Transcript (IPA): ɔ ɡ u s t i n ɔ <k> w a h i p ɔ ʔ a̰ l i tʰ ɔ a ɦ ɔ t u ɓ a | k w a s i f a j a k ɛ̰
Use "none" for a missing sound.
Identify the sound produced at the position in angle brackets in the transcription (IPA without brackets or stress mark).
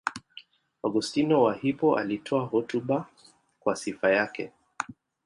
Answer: none